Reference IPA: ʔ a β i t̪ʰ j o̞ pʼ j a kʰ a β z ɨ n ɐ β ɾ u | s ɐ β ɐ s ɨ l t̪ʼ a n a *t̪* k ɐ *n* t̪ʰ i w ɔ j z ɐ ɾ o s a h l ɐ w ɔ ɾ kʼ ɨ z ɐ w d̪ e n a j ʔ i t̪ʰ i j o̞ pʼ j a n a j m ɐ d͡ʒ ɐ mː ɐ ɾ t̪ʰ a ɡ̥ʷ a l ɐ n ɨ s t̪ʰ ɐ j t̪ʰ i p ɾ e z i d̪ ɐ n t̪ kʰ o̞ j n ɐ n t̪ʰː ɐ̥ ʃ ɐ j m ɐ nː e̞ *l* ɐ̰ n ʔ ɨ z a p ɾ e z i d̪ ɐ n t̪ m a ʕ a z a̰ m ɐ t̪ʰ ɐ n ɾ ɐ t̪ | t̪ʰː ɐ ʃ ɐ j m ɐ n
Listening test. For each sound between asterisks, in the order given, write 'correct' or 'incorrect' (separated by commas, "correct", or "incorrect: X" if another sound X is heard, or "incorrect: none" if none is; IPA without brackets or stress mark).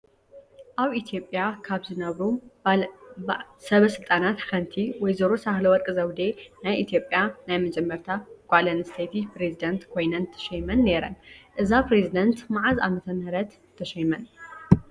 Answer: correct, correct, incorrect: ɾ